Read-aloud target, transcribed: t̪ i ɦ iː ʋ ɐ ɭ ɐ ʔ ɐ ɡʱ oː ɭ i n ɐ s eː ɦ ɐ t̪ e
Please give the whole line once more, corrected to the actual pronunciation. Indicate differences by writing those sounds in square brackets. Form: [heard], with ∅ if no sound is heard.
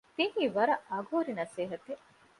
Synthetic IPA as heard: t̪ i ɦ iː ʋ ɐ [ɾ] ɐ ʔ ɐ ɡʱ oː [ɾ] i n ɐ s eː ɦ ɐ t̪ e